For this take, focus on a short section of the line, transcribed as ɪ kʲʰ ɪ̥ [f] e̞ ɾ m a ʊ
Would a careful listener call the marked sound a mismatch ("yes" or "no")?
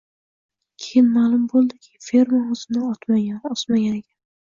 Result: no